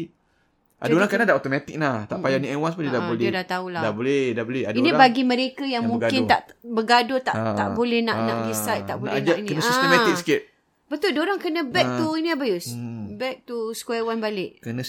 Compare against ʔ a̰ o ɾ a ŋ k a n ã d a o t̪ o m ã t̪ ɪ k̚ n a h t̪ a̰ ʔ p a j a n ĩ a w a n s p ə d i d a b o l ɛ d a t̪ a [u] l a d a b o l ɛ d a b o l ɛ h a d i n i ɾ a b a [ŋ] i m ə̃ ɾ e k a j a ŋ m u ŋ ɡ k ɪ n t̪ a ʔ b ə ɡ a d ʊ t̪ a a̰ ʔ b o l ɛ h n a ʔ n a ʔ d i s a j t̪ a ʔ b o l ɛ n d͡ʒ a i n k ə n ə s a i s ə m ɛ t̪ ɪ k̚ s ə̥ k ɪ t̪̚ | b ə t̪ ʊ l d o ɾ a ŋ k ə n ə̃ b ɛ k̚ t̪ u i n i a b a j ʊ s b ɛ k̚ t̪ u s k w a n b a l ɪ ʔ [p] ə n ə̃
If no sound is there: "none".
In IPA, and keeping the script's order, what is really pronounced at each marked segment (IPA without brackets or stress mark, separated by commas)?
u, ɡ, k